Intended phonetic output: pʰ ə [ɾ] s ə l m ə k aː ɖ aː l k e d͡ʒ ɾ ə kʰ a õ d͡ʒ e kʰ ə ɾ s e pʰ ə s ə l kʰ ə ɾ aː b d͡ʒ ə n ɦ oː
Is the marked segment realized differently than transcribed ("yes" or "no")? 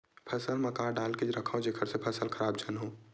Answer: yes